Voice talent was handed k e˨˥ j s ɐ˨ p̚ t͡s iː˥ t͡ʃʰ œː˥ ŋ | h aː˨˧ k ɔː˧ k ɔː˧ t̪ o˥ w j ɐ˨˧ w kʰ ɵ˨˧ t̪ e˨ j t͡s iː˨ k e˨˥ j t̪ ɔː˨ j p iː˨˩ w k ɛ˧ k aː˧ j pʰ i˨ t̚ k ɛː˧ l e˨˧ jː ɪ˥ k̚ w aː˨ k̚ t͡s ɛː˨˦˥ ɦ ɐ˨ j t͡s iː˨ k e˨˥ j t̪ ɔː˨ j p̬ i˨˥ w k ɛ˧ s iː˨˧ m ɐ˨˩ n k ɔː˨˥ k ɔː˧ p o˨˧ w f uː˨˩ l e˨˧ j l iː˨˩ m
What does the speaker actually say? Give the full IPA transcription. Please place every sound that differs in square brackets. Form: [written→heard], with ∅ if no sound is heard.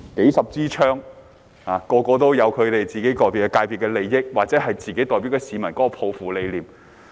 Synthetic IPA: k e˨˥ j s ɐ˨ p̚ t͡s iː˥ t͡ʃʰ œː˥ ŋ | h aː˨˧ k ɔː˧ k ɔː˧ t̪ o˥ w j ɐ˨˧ w kʰ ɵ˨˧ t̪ e˨ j t͡s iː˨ k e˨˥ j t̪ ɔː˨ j p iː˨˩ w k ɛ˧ k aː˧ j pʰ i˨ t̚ k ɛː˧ l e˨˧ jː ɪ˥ k̚ w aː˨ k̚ t͡s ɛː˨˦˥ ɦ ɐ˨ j t͡s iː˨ k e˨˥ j t̪ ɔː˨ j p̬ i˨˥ w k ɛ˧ s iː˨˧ m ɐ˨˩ n k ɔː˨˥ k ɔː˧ [p→pʰ] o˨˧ w f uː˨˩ l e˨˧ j l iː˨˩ m